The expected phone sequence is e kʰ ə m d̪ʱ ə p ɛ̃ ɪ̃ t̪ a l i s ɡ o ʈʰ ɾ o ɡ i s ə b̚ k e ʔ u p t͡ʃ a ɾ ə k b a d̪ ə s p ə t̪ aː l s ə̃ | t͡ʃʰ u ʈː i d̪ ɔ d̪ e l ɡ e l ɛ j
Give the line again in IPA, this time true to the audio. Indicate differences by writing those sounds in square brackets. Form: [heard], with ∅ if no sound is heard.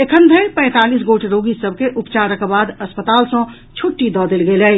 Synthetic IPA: e kʰ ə [n] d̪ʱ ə p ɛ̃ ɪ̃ t̪ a l i s ɡ o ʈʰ ɾ o ɡ i s ə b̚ k e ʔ u p t͡ʃ a ɾ ə k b a d̪ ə s p ə t̪ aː l s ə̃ | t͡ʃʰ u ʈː i d̪ ɔ d̪ e l ɡ e l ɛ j